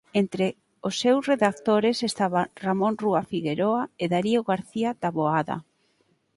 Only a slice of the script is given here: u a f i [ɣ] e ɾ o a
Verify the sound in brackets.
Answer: correct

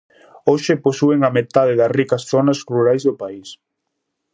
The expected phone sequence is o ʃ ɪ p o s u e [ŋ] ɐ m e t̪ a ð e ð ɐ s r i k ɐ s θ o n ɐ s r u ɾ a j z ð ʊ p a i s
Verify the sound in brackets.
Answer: correct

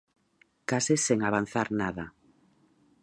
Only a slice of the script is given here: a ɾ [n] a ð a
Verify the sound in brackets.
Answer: correct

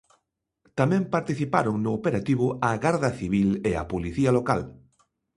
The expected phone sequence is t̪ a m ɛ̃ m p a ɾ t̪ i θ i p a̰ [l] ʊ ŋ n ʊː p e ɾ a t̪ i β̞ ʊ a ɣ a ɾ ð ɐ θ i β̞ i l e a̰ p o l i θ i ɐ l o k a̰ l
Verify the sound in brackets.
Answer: incorrect: ɾ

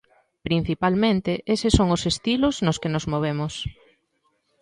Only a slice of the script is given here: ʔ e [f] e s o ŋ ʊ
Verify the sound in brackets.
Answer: incorrect: s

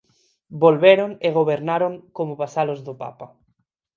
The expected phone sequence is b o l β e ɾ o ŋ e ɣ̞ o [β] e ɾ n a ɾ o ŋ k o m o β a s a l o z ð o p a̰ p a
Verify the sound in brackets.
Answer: correct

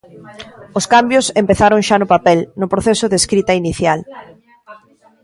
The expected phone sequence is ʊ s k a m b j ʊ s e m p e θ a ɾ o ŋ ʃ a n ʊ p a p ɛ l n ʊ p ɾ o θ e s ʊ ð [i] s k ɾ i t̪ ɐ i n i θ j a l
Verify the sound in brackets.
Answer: incorrect: e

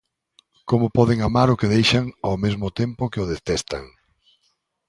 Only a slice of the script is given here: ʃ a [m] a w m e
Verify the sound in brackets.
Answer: incorrect: ŋ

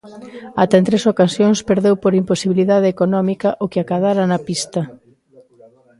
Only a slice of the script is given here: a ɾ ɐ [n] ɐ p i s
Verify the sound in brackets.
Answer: correct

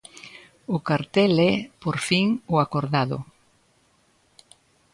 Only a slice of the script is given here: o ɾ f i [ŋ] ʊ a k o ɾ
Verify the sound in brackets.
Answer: correct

